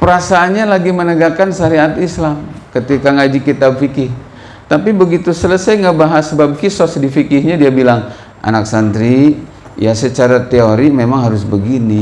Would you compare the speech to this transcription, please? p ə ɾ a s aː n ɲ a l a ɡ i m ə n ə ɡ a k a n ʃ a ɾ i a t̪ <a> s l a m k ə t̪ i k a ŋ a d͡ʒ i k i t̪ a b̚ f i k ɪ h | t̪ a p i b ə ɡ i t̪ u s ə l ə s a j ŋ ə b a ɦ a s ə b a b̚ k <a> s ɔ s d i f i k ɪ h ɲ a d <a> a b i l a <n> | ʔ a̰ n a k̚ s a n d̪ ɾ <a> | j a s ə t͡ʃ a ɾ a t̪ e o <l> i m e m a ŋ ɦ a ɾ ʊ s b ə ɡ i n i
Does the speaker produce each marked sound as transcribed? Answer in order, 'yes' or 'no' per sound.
no, no, no, no, no, no

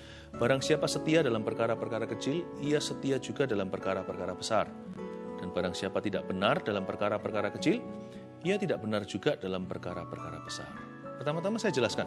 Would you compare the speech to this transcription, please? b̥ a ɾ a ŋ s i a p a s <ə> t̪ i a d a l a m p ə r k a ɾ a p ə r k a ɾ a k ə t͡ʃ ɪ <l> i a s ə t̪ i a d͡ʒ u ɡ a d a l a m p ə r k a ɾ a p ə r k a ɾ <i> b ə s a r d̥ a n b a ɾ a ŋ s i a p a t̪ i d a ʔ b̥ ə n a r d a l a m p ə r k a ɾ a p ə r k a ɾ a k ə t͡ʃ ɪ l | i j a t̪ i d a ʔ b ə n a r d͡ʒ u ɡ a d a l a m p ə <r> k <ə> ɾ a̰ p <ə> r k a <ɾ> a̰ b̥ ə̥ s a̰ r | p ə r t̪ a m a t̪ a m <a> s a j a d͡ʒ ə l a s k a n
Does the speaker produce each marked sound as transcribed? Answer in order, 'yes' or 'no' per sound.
yes, yes, no, yes, no, yes, yes, yes

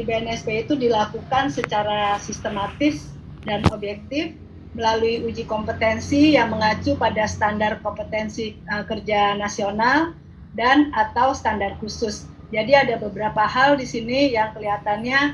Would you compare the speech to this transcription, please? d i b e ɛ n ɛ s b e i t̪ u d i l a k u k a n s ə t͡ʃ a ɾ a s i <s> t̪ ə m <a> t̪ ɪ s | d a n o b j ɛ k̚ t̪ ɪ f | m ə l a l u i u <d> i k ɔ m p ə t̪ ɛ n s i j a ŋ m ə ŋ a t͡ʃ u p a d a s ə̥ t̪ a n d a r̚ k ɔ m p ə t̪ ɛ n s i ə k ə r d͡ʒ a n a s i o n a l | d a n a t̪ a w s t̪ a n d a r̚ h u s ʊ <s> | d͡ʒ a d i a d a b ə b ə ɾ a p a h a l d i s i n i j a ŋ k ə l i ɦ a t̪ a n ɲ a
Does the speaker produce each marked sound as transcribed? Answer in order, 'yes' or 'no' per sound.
yes, yes, no, yes

